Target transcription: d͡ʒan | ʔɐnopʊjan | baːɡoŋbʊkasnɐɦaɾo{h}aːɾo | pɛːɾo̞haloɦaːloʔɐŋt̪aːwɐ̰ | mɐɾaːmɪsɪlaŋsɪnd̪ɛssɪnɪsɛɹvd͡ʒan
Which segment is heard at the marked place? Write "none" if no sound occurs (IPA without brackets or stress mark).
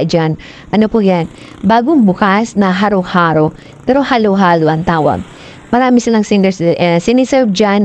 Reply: h